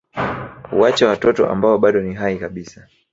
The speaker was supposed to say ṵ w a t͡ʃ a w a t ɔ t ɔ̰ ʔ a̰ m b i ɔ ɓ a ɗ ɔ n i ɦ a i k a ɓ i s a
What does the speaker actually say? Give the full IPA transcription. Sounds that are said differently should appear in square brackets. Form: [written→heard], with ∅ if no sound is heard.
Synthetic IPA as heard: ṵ w a t͡ʃ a w a t ɔ t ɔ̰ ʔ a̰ m b [i→a] ɔ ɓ a ɗ ɔ n i ɦ a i k a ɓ i s a